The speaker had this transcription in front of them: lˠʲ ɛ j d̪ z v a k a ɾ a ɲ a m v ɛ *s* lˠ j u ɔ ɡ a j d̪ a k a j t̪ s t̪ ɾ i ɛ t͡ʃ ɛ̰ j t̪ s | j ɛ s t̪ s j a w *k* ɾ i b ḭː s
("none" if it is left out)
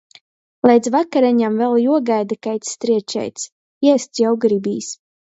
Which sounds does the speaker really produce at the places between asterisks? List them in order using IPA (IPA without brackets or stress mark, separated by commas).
none, ɡ